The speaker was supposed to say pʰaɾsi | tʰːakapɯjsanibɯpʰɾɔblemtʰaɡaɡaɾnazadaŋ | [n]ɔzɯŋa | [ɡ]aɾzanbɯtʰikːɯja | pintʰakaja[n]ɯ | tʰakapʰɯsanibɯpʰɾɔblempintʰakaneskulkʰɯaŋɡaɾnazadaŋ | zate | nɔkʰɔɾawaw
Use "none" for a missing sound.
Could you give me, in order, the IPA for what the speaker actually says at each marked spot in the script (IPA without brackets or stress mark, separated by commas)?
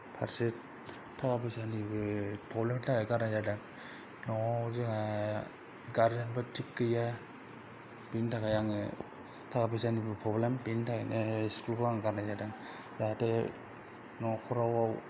n, ɡ, ŋ